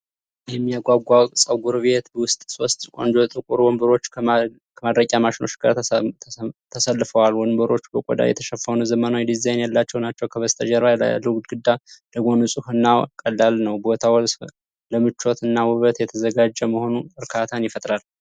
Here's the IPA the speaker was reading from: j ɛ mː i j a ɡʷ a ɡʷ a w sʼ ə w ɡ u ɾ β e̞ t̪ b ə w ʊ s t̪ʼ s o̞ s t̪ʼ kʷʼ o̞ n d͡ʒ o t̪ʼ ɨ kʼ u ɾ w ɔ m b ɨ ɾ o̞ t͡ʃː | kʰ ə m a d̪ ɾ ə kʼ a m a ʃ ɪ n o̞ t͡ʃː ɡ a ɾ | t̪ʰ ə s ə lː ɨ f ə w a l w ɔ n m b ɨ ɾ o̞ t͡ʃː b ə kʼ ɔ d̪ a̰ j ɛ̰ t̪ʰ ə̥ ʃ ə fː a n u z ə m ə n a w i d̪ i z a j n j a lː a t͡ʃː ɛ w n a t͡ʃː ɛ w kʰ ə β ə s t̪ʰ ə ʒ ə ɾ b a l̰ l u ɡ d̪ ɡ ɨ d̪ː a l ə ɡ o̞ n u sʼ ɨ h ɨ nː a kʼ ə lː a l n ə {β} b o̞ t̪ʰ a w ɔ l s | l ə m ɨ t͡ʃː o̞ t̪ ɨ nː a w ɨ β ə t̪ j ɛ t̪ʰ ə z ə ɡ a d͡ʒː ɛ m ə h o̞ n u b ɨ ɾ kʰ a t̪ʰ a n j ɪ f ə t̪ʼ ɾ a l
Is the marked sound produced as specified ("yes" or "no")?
no